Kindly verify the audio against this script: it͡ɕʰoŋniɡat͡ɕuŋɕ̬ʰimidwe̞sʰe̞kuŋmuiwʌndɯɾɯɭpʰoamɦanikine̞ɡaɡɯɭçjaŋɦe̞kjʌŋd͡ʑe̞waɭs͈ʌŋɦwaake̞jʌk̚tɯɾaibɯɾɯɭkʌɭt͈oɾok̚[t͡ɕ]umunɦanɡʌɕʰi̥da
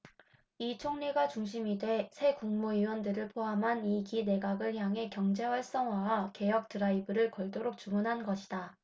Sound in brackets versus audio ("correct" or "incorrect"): correct